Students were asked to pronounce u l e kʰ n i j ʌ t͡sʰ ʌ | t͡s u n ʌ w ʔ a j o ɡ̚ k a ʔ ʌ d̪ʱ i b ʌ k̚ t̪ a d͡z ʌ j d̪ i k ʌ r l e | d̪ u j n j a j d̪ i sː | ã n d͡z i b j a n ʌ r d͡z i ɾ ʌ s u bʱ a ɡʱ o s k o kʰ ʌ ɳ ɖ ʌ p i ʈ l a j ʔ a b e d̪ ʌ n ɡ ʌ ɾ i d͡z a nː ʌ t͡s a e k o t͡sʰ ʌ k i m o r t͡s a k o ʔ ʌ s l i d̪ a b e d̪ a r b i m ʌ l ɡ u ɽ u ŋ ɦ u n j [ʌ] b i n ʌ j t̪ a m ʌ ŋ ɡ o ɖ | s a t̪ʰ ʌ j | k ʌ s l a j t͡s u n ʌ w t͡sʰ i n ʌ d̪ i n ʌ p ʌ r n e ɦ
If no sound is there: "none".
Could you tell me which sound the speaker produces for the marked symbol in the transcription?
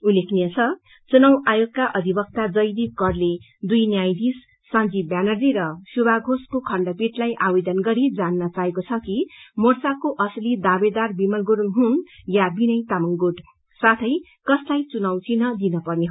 a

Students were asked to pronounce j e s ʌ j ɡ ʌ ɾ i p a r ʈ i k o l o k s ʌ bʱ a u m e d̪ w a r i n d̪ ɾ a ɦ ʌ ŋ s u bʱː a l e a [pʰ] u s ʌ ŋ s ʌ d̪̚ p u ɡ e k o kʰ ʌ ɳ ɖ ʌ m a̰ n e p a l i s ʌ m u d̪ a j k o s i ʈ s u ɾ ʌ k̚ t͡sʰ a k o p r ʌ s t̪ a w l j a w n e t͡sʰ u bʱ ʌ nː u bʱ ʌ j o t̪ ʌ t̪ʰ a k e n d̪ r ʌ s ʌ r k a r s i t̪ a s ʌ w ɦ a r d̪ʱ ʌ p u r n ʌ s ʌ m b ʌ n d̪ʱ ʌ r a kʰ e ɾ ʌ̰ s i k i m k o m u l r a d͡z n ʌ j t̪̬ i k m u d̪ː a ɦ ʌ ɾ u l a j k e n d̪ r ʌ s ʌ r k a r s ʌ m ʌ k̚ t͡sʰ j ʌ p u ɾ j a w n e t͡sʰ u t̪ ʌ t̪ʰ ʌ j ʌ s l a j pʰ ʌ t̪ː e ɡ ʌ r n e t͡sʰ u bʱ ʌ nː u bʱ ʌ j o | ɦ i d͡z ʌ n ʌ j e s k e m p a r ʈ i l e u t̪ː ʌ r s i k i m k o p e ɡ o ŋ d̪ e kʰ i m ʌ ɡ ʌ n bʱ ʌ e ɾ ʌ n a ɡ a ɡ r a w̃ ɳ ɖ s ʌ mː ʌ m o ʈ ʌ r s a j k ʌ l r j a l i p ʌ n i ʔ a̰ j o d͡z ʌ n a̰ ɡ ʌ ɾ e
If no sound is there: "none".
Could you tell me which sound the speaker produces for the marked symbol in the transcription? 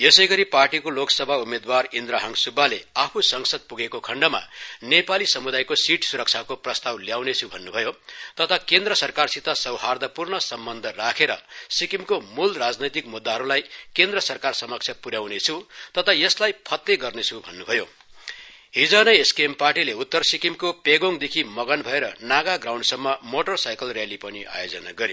pʰ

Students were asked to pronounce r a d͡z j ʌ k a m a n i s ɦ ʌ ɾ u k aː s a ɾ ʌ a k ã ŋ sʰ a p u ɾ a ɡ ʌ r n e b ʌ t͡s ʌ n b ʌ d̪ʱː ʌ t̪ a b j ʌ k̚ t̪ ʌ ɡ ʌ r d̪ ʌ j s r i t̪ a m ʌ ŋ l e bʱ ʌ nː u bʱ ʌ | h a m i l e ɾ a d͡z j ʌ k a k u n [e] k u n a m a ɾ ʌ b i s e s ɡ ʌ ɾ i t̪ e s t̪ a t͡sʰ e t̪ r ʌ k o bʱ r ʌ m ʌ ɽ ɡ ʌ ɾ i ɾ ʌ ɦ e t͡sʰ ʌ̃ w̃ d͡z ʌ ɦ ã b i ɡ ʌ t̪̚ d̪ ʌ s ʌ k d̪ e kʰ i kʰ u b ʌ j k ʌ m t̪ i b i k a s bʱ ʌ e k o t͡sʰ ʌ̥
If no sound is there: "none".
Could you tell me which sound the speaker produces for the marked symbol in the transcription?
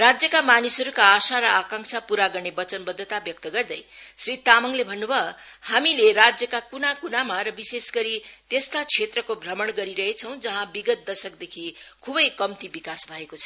a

